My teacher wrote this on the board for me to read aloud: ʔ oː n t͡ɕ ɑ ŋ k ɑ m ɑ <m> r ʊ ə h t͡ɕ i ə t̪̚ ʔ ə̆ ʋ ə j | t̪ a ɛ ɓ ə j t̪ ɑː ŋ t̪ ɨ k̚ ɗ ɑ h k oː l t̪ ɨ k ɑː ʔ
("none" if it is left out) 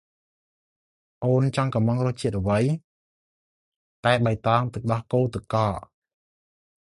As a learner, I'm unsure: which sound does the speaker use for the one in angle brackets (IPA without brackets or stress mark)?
ŋ